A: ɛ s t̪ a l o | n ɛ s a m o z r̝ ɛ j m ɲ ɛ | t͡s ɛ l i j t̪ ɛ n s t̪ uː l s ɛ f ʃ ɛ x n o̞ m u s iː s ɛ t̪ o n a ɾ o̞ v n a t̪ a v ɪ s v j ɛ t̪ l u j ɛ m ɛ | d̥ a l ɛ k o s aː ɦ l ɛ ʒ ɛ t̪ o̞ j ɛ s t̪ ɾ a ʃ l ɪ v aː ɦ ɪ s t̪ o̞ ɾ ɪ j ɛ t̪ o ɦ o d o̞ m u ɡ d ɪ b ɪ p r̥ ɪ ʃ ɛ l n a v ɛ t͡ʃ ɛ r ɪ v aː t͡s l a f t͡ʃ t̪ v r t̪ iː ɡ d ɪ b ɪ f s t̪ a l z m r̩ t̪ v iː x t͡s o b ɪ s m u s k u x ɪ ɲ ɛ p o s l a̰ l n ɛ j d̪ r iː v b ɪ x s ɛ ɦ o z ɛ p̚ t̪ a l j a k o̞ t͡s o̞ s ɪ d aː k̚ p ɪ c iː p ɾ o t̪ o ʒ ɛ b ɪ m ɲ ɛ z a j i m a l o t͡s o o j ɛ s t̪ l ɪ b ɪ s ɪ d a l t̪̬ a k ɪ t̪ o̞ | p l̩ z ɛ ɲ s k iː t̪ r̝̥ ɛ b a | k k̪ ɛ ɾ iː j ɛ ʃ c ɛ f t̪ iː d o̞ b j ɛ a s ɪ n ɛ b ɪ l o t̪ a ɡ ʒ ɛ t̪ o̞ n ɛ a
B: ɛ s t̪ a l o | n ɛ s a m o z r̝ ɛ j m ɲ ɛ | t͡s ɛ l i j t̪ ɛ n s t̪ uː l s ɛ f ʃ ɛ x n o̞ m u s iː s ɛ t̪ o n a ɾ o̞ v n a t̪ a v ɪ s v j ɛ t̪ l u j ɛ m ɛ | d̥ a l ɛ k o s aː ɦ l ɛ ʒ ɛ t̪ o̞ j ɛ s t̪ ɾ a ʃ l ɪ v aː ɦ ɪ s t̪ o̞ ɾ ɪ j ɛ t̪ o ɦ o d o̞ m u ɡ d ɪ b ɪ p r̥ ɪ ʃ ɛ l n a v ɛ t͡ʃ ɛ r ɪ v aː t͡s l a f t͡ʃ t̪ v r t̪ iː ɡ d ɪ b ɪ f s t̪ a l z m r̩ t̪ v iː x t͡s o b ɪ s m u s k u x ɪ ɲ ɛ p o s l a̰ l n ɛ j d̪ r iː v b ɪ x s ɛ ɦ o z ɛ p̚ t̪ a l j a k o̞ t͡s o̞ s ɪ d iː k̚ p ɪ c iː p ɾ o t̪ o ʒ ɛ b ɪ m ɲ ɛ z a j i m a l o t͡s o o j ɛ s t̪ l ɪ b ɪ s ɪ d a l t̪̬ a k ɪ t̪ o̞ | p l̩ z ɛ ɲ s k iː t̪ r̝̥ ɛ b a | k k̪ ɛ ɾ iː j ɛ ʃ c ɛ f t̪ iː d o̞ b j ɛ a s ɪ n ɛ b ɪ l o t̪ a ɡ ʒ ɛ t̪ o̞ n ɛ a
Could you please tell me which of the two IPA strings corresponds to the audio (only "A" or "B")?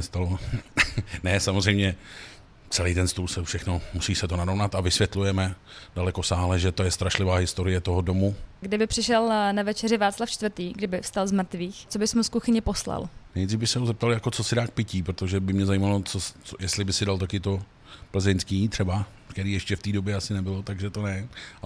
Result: A